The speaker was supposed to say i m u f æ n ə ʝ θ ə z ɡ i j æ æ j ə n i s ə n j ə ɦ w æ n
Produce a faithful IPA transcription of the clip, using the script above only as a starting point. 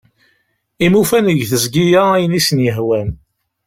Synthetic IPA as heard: i m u f æ n ə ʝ θ ə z ɡ i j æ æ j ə n i s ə n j ə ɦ w æ n